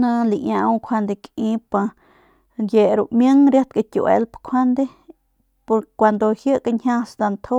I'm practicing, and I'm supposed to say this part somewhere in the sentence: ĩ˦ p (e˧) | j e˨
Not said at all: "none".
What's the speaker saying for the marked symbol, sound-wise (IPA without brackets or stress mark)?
a˧